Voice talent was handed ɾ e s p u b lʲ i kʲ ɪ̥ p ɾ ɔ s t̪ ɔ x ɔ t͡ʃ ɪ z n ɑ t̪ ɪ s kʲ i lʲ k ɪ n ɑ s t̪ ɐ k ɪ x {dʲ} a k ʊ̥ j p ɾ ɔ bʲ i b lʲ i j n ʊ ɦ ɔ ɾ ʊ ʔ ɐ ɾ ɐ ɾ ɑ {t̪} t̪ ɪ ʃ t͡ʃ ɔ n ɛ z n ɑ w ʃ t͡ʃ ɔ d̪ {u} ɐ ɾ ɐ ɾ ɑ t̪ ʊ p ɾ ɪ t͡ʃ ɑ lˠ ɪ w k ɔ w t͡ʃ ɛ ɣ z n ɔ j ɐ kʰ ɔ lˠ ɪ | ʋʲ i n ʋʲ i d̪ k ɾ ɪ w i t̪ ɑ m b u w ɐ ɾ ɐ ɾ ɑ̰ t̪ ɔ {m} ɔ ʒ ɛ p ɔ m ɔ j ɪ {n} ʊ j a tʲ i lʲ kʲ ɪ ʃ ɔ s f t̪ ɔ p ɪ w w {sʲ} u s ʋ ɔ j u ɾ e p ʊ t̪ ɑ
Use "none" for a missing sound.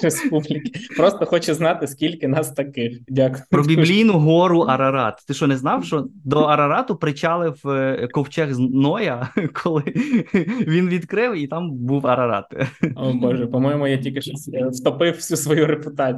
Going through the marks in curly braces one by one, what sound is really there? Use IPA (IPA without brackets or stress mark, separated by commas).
dʲ, t̪, ɔ, b, m, sʲ